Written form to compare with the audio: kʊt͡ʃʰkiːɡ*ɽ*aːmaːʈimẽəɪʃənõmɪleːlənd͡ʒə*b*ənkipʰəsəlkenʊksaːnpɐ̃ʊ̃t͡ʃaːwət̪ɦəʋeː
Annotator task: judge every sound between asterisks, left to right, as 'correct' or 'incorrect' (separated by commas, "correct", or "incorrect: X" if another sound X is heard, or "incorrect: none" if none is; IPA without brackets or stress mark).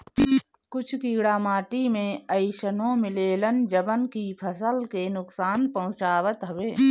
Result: correct, correct